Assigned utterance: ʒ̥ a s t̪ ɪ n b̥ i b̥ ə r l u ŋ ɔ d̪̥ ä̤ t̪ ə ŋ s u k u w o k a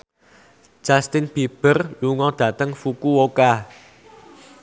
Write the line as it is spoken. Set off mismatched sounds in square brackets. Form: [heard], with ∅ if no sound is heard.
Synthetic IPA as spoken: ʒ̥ a s t̪ ɪ n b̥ i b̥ ə r l u ŋ ɔ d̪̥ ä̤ t̪ ə ŋ [f] u k u w o k a